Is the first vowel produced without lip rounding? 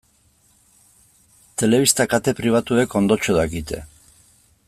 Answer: yes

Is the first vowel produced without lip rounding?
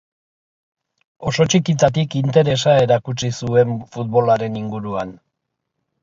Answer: no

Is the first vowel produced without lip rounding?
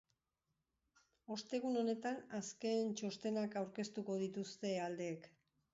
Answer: no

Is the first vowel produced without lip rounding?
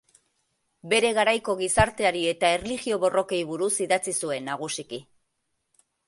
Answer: yes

